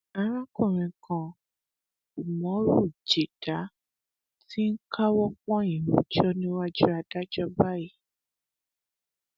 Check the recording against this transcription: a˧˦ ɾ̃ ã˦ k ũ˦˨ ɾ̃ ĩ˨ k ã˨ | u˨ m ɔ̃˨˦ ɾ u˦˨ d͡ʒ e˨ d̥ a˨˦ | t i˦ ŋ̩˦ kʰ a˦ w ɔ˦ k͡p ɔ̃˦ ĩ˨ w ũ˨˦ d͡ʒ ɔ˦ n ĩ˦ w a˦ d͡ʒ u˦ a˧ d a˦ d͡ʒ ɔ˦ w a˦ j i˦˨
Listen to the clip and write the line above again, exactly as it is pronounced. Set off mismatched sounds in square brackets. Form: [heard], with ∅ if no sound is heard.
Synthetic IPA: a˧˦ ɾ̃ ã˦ k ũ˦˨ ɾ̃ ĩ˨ k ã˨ | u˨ m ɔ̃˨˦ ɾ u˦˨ d͡ʒ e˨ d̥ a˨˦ | t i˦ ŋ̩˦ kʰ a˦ w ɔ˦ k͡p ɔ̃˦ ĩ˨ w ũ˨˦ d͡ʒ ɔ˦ n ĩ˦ w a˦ d͡ʒ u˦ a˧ d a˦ d͡ʒ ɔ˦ [b] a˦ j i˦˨